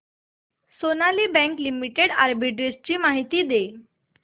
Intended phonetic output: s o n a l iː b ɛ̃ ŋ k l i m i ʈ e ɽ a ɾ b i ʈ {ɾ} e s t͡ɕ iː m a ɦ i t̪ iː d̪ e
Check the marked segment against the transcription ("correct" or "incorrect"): correct